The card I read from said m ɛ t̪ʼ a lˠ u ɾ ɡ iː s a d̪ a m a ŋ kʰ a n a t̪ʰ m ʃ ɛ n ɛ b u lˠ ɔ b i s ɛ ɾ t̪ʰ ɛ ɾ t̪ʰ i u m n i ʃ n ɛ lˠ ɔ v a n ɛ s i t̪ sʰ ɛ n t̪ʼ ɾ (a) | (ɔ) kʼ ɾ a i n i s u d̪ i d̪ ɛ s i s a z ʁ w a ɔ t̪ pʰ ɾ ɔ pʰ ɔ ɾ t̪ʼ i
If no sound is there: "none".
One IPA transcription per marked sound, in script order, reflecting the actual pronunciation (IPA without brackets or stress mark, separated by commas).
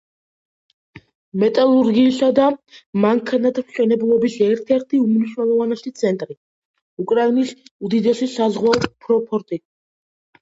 i, u